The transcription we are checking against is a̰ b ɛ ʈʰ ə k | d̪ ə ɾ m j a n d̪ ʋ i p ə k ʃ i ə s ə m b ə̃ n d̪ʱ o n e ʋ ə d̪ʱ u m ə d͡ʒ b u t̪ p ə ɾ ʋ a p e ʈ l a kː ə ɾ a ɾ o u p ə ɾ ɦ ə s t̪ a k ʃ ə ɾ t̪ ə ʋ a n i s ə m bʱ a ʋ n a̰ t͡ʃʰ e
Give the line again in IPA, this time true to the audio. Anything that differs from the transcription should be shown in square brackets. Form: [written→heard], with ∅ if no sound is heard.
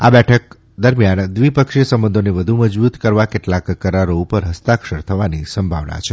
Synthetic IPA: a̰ b ɛ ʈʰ ə k | d̪ ə ɾ m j a n d̪ ʋ i p ə k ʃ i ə s ə m b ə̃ n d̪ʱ o n e ʋ ə d̪ʱ u m ə d͡ʒ b u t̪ [p→k] ə ɾ ʋ a [p→k] e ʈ l a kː ə ɾ a ɾ o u p ə ɾ ɦ ə s t̪ a k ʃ ə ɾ [t̪→t̪ʰ] ə ʋ a n i s ə m bʱ a ʋ n a̰ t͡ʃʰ e